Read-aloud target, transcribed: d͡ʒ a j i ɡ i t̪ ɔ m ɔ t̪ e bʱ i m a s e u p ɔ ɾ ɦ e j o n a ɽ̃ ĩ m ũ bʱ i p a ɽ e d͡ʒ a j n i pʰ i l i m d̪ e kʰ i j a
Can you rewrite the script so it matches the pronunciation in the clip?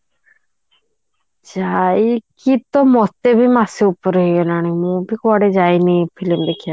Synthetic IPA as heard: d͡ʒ a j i k i t̪ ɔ m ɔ t̪ e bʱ i m a s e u p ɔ ɾ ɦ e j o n a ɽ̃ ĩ m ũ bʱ i k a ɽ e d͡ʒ a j n i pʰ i l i m d̪ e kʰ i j a